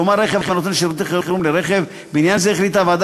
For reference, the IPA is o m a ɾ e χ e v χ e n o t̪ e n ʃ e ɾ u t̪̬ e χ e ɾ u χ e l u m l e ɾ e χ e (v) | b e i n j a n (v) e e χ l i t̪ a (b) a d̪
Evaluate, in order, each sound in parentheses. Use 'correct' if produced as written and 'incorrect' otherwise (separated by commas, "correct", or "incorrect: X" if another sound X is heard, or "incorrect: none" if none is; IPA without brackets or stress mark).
correct, incorrect: z, incorrect: v